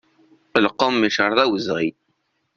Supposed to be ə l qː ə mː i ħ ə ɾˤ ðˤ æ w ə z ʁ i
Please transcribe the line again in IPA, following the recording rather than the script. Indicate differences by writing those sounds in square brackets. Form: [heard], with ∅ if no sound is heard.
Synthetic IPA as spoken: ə l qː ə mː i [ʃ] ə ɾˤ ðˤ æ w ə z ʁ i